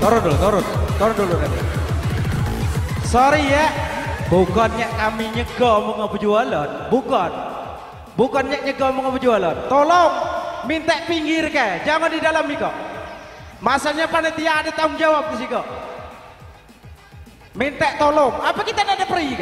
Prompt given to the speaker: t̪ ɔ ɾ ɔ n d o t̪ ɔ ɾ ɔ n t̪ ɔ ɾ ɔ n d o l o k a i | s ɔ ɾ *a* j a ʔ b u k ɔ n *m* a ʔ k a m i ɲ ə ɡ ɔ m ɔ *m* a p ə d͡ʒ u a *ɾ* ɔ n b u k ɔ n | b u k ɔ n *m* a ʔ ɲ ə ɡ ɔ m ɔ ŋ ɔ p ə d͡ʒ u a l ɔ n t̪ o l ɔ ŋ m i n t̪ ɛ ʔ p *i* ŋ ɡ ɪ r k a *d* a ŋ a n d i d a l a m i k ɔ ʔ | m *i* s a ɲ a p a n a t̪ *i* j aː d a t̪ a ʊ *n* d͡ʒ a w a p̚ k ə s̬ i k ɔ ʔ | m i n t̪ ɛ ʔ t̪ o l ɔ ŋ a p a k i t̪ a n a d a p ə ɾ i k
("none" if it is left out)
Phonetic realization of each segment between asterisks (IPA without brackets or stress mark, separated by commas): i, ɲ, ŋ, l, ɲ, i, d͡ʒ, a, i, ŋ